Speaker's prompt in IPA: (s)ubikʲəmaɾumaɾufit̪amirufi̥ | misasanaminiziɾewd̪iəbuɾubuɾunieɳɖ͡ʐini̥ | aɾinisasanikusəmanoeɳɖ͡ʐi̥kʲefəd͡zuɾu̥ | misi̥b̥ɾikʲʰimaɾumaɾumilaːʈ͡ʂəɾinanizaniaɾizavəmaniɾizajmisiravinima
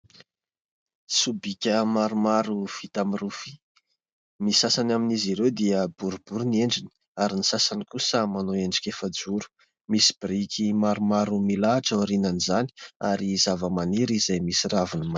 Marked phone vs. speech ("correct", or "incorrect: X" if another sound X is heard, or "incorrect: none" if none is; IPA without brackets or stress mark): correct